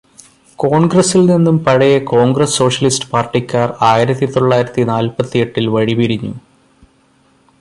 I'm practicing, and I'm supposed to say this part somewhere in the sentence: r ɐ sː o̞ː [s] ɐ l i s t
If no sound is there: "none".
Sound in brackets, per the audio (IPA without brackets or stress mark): ʂ